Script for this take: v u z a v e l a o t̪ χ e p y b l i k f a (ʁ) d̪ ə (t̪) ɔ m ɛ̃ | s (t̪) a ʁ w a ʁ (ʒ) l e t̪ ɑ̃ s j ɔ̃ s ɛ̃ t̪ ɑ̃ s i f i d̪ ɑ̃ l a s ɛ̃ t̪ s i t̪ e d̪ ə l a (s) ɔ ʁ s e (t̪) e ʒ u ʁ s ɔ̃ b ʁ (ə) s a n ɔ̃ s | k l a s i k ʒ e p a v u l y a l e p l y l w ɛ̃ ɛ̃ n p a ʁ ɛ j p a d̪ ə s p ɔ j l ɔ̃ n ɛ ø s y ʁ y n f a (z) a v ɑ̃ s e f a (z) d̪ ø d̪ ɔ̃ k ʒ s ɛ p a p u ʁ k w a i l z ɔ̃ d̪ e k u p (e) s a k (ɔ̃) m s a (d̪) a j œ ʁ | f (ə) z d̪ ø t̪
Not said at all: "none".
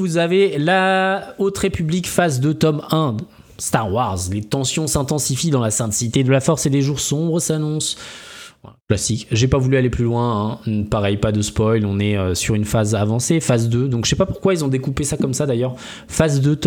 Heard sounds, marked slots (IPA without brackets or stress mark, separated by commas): z, t̪, t̪, z, f, d̪, ə, z, z, e, ɔ, d̪, a